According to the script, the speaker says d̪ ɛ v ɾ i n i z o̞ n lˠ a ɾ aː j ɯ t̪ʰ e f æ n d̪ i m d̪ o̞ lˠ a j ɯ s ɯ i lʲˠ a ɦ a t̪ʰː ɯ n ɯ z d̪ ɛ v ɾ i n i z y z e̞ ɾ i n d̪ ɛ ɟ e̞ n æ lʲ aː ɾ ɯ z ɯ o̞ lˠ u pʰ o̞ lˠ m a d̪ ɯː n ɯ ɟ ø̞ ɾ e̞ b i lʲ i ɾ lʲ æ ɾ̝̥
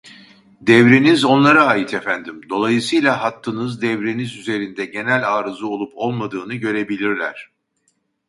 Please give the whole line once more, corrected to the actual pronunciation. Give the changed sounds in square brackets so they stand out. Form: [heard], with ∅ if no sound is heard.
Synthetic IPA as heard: d̪ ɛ v ɾ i n i z o̞ n lˠ a ɾ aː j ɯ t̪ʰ e f æ n d̪ i m d̪ o̞ lˠ a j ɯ s ɯ [j] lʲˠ a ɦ a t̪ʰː ɯ n ɯ z d̪ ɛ v ɾ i n i z y z e̞ ɾ i n d̪ ɛ ɟ e̞ n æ lʲ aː ɾ ɯ z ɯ o̞ lˠ u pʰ o̞ lˠ m a d̪ ɯː n ɯ ɟ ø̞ ɾ e̞ b i lʲ i ɾ lʲ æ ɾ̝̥